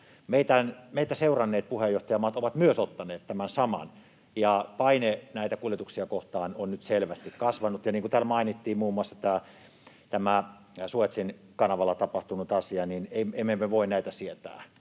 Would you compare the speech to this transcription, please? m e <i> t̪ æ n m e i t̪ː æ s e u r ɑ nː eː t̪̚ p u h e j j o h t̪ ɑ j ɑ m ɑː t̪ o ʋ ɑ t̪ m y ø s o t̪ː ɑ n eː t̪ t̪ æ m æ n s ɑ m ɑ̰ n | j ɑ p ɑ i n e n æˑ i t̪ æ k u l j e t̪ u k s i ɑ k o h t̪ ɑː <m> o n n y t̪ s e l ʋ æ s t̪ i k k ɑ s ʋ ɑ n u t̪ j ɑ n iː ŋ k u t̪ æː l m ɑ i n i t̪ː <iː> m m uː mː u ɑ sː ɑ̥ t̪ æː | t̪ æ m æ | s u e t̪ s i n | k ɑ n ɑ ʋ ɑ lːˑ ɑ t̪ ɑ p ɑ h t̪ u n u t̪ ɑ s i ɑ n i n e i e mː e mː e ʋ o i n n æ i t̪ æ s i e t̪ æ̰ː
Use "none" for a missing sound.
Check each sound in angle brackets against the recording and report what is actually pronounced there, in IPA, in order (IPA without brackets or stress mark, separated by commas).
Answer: i, n, iː